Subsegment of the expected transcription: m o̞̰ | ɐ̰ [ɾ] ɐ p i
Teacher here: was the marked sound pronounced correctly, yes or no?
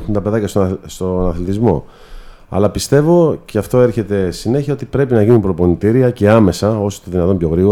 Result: no